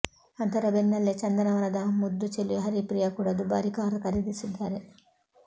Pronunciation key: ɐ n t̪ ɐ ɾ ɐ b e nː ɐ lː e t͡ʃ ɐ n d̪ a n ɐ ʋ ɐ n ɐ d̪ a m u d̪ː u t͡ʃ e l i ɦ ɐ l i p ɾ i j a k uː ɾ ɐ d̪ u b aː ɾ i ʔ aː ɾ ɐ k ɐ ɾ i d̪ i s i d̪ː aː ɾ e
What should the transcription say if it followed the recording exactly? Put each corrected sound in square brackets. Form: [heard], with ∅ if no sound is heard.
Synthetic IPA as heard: ɐ n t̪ ɐ ɾ ɐ b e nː ɐ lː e t͡ʃ ɐ n d̪ [ɐ] n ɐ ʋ ɐ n ɐ d̪ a m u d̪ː u t͡ʃ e l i ɦ ɐ [ɾ] i p ɾ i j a k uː [ɽ] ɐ d̪ u b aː ɾ i [k] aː ɾ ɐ k ɐ ɾ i d̪ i s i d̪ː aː ɾ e